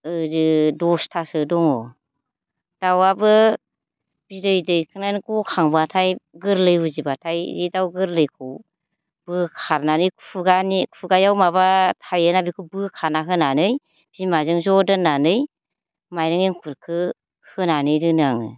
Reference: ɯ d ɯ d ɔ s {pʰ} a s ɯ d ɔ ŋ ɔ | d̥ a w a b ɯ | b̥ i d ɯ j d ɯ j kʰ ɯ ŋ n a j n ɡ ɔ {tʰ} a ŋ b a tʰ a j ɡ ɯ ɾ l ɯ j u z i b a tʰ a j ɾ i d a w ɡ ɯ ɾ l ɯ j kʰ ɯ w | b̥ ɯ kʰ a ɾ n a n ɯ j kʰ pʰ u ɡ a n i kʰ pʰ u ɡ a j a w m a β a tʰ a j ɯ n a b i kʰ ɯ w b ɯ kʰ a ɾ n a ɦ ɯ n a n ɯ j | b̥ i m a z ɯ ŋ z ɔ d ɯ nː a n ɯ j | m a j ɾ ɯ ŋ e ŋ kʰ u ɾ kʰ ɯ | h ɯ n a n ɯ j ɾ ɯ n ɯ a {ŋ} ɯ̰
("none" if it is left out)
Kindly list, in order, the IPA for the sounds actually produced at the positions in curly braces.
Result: tʰ, kʰ, ŋ

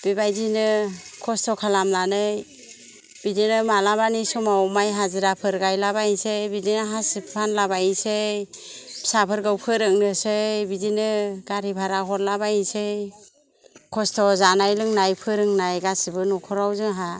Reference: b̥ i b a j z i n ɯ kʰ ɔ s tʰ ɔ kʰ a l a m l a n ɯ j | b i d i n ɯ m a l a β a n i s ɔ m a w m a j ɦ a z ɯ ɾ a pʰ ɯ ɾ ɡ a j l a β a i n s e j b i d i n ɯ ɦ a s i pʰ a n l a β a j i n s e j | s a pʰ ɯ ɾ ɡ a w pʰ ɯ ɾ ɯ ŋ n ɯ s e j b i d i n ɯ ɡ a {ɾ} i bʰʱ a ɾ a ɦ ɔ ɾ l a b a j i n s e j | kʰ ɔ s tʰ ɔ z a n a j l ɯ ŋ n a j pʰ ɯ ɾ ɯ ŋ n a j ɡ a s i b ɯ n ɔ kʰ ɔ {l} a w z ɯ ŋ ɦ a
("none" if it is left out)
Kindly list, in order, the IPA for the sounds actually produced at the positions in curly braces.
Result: ɾ, ɾ

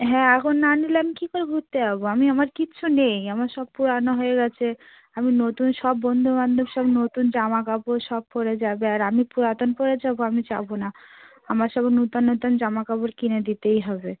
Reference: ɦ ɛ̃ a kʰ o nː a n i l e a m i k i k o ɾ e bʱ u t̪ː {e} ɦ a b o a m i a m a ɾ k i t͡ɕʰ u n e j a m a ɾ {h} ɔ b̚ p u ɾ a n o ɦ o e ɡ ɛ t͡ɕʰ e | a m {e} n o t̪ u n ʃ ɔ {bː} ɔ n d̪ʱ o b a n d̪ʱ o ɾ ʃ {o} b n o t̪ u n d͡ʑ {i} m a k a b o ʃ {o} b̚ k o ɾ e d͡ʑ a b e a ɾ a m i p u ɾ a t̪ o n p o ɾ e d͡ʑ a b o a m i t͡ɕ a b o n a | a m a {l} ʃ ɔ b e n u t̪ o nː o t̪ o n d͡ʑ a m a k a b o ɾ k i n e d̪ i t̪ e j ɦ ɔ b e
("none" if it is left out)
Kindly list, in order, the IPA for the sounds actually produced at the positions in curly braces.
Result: e, ʃ, i, bː, ɔ, a, ɔ, ɾ

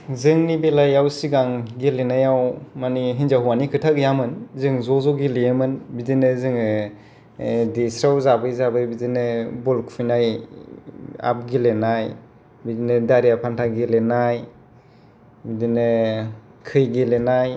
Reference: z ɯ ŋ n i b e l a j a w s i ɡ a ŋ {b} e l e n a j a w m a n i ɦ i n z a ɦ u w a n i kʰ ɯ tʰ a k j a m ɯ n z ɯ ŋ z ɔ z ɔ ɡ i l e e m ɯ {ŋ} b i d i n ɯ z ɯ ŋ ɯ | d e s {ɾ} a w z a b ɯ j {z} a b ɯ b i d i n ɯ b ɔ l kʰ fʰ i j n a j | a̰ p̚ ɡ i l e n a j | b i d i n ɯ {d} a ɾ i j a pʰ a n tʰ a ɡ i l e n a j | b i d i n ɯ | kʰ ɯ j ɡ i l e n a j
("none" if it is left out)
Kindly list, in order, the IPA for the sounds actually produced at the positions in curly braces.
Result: ɡ, n, ɾ, z, d

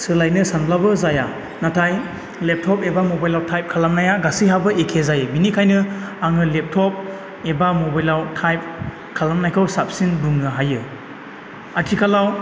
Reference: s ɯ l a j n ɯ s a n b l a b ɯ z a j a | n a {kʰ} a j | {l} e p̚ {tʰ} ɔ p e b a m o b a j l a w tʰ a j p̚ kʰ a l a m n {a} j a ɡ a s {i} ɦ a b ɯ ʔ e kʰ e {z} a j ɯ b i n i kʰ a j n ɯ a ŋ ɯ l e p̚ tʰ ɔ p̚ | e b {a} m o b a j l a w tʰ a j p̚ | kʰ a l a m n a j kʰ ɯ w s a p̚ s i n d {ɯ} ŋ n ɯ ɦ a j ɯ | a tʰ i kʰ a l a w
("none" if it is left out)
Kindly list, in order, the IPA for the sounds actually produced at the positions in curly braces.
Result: tʰ, l, tʰ, a, i, z, a, u

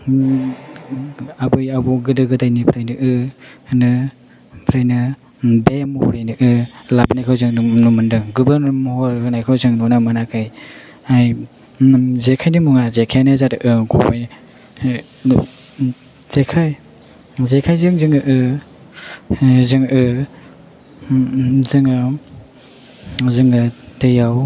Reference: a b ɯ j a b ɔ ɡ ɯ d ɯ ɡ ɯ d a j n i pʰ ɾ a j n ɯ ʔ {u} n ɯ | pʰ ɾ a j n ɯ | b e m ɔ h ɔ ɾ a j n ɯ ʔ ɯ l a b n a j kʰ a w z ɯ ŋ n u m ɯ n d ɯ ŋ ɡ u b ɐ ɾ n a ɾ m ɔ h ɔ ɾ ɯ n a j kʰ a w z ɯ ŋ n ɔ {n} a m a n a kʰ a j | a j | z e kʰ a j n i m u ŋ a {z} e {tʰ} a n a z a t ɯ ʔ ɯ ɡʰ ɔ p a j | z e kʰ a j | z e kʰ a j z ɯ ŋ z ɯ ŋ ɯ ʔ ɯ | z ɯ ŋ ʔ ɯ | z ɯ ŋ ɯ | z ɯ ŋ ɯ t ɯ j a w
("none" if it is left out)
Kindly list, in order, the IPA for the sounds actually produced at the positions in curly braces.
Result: ɯ, n, z, kʰ

